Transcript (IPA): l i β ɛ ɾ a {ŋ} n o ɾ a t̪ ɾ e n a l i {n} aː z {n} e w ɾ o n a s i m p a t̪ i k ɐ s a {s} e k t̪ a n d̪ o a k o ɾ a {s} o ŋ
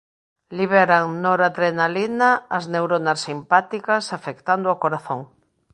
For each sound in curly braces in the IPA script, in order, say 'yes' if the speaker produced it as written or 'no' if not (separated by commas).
yes, yes, yes, no, no